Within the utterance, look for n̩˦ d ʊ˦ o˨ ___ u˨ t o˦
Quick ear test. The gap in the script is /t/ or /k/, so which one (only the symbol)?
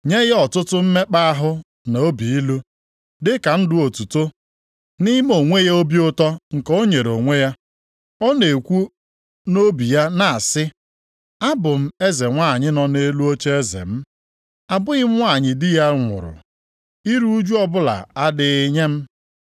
t